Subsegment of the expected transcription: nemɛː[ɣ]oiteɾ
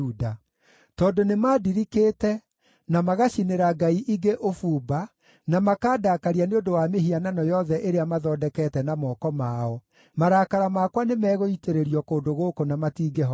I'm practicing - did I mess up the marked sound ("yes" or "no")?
no